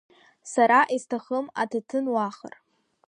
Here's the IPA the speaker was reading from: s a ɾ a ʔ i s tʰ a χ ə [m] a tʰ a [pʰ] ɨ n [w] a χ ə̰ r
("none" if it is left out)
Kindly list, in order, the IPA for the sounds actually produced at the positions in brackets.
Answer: m, tʰ, w

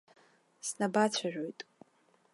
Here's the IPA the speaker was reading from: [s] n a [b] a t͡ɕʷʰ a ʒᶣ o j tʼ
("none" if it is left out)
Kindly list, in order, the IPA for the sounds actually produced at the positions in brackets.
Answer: s, b

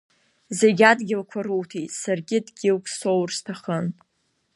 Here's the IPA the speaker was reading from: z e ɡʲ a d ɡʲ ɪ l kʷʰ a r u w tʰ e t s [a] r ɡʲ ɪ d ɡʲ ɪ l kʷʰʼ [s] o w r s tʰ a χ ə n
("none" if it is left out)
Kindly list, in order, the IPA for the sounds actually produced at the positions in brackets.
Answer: a, s

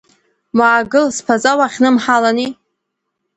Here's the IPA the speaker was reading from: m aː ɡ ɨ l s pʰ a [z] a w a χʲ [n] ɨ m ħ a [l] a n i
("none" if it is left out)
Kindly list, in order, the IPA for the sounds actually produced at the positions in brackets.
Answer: z, n, l

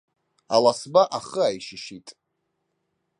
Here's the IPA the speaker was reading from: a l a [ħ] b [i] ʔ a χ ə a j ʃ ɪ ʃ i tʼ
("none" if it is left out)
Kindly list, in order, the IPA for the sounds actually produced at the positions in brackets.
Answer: s, a

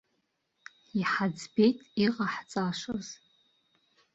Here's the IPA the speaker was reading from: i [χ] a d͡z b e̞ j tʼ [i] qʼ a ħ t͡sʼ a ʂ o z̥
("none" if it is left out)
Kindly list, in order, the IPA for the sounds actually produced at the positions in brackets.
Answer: ħ, i

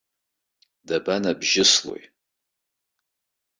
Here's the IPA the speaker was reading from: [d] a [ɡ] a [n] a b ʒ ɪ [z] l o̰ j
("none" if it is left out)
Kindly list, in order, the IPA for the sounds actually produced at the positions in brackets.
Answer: d, b, n, s

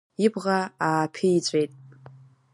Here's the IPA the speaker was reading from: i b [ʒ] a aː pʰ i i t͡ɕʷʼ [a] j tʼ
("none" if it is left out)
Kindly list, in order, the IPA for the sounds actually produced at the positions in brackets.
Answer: ʁ, e

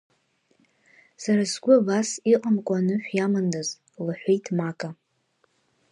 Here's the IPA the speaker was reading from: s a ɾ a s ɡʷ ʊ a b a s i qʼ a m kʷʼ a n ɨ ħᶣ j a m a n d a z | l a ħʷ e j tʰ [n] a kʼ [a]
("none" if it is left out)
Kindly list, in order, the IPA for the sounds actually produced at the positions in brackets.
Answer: m, a

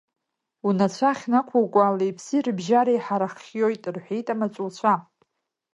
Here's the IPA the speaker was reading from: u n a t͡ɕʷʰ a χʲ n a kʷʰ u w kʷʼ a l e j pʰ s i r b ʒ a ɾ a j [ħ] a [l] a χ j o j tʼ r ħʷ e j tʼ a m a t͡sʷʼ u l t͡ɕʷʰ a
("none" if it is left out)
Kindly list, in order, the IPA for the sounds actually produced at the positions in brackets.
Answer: ħ, ɾ

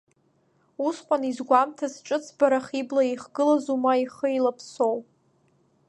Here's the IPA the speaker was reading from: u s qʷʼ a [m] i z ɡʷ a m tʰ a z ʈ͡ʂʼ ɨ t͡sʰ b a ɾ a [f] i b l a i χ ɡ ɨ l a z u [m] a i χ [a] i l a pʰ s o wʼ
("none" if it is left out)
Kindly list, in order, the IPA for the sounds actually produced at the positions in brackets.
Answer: n, χ, m, ə

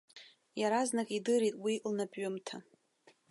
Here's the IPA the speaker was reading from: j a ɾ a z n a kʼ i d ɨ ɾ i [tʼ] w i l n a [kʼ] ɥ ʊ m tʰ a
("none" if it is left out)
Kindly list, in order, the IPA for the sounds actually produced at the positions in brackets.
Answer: tʼ, pʼ

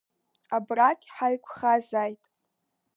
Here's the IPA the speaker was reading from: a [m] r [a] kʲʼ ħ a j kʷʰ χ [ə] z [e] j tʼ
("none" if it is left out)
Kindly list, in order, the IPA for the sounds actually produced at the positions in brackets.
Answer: b, a, a, a

